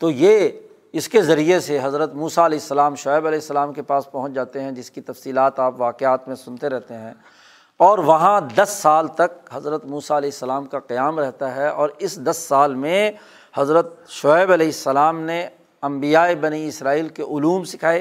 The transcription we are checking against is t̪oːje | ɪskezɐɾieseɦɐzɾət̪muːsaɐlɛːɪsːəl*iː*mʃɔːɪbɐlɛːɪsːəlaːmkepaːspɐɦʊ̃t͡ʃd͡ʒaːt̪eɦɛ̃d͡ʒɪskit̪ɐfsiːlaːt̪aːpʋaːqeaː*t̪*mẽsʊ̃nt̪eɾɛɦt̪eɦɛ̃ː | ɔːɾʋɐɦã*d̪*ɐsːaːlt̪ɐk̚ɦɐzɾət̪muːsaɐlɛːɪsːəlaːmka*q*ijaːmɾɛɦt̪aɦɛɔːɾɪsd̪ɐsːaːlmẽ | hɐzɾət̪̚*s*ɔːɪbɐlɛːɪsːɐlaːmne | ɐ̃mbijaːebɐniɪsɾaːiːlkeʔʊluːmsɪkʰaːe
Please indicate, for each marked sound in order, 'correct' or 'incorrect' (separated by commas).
incorrect, correct, correct, correct, incorrect